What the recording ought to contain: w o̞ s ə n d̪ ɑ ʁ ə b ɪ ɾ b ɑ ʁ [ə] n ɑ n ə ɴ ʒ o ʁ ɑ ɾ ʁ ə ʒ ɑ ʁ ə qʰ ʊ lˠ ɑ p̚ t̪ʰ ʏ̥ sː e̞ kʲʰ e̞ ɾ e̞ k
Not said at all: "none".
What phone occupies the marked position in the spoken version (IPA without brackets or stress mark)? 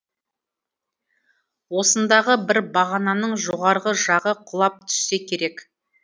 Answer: ɑ